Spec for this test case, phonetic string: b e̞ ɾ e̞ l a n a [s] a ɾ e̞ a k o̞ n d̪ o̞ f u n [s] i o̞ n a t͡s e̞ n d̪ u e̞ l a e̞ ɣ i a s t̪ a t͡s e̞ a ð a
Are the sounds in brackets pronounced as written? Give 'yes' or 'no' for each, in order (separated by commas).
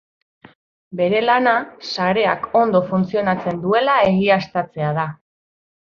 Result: yes, no